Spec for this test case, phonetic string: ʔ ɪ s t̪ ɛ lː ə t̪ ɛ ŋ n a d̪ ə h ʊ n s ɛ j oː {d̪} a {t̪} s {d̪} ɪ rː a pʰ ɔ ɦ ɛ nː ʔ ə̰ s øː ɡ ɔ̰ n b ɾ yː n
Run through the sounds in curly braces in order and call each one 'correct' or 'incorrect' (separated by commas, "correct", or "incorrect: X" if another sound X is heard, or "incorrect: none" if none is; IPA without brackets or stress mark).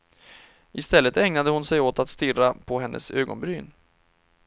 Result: incorrect: t̪, correct, incorrect: t̪